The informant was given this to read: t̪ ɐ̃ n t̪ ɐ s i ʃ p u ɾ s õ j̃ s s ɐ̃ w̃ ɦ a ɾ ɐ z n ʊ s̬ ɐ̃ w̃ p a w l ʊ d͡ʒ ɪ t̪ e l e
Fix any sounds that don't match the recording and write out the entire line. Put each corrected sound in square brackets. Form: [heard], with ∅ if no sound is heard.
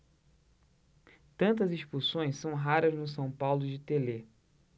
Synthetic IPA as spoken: t̪ ɐ̃ n t̪ ɐ [z] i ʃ p u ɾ s õ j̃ s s ɐ̃ w̃ ɦ a ɾ ɐ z n ʊ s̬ ɐ̃ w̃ p a w l ʊ d͡ʒ ɪ t̪ e l e